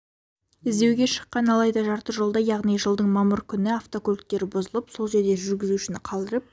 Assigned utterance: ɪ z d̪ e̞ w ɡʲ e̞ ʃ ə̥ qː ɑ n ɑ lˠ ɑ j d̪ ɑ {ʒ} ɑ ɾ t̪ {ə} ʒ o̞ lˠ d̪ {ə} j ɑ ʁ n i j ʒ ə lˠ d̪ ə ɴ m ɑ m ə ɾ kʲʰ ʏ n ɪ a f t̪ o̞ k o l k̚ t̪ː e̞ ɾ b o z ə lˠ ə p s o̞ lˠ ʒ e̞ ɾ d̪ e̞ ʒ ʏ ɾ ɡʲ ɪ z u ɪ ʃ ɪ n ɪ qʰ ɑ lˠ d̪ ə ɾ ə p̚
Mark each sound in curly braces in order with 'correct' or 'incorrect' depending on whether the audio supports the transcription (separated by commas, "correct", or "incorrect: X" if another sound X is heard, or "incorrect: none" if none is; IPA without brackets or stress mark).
correct, correct, incorrect: ɑ